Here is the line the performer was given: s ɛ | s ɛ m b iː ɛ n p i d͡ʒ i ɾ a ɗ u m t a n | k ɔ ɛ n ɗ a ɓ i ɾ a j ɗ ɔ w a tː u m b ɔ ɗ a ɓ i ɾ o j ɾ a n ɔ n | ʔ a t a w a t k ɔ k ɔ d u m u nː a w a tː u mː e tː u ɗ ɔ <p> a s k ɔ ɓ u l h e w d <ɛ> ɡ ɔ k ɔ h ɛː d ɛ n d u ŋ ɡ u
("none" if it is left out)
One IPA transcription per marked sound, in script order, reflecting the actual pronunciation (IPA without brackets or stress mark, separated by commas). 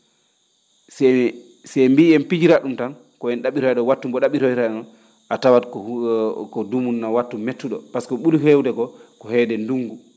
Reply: p, ɛ